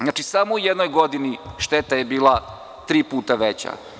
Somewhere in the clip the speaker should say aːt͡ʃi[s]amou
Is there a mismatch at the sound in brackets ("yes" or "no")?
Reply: no